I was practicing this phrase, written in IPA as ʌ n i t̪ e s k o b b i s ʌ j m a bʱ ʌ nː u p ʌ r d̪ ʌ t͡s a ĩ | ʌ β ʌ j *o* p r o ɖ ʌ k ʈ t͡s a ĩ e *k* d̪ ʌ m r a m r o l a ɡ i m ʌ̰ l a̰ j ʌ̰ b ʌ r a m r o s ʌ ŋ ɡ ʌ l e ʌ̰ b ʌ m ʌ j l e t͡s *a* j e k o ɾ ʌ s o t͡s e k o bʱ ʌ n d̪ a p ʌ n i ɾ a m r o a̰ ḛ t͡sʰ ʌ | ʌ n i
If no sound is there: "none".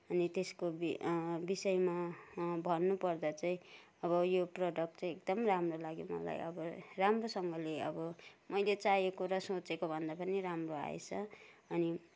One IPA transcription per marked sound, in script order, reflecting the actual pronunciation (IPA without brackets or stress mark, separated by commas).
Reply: o, k, a